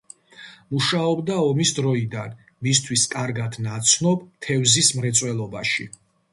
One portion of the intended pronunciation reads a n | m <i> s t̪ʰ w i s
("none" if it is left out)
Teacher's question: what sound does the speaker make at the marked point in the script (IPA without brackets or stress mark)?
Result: i